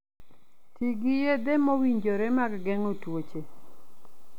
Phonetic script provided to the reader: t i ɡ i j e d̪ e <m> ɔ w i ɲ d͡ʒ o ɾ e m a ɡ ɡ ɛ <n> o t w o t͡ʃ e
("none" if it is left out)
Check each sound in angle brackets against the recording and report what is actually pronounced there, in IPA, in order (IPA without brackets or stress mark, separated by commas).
m, ŋ